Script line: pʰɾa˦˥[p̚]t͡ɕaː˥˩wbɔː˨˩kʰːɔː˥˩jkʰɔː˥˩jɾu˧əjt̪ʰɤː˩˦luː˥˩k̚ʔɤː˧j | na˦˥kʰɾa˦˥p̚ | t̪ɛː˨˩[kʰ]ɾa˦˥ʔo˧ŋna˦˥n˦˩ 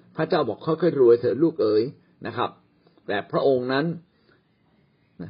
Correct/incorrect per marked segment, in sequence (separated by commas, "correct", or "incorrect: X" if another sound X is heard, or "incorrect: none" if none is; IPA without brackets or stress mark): incorrect: none, incorrect: pʰ